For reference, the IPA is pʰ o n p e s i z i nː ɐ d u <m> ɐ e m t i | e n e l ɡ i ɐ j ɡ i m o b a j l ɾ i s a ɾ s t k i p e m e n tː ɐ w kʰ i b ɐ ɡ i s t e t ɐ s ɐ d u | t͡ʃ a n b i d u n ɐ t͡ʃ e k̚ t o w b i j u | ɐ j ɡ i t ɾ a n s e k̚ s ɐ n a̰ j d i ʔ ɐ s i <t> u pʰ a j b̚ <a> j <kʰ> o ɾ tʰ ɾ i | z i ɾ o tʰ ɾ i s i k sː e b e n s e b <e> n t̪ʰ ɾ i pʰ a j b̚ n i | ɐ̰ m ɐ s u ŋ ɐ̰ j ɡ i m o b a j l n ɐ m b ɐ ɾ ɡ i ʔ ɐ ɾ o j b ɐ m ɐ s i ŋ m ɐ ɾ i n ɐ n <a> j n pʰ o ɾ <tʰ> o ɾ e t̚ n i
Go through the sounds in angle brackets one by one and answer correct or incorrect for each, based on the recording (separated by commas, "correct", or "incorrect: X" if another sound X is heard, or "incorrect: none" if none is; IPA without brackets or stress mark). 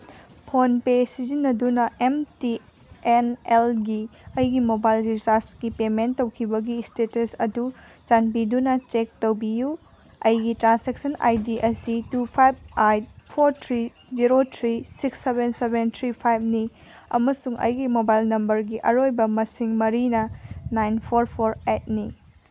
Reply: incorrect: n, correct, correct, incorrect: pʰ, correct, correct, incorrect: pʰ